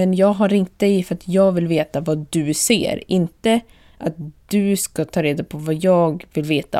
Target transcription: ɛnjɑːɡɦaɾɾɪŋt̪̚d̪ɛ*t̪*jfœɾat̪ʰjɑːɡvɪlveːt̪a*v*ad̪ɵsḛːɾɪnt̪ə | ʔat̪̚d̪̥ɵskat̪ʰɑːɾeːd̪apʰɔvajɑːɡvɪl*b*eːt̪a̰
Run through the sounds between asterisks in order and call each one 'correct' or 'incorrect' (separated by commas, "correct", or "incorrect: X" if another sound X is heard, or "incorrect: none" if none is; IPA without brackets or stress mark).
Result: incorrect: none, correct, incorrect: v